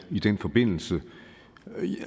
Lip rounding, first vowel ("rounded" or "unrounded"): unrounded